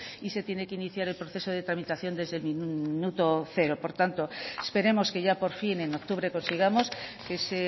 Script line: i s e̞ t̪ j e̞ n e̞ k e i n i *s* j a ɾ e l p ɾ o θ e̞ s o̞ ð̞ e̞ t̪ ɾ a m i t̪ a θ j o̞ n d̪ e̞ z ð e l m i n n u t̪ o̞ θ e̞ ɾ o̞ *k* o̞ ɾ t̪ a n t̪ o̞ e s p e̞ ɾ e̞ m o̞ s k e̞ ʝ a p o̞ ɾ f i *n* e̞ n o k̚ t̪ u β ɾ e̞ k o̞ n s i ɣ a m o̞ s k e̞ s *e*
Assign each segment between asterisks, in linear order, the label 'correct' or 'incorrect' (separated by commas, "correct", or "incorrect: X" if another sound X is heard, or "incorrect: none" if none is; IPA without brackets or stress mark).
incorrect: θ, incorrect: p, correct, correct